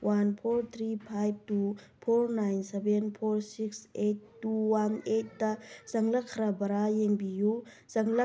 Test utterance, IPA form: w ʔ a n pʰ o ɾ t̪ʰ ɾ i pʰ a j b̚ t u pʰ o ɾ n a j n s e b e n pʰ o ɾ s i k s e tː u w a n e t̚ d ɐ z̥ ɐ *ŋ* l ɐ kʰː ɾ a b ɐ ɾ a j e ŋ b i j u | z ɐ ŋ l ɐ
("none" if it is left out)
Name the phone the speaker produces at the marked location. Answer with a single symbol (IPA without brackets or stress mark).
ŋ